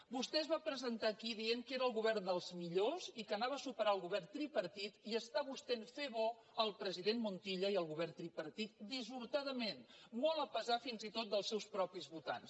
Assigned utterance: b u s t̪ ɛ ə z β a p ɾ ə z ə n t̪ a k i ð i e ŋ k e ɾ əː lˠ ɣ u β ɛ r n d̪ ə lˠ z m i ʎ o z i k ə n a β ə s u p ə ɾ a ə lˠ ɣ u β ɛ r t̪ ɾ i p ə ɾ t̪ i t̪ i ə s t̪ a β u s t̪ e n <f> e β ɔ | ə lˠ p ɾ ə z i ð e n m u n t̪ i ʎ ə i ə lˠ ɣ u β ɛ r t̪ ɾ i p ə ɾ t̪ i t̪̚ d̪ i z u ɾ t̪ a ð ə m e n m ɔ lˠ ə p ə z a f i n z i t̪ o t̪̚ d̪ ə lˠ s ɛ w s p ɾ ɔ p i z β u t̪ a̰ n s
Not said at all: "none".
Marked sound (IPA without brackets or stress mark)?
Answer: f